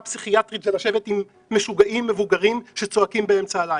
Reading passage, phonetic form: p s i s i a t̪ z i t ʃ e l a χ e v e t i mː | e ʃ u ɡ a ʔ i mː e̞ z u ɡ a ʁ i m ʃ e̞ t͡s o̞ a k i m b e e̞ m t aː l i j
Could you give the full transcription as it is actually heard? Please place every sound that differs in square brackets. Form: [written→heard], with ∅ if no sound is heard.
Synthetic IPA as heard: p s i [s→χ] i a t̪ [z→ʁ] i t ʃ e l a [χ→ʃ] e v e t i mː | e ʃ u ɡ a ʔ i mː e̞ [z→v] u ɡ a ʁ i m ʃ e̞ t͡s o̞ a k i m b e e̞ m [t→t͡s] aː l [i→a] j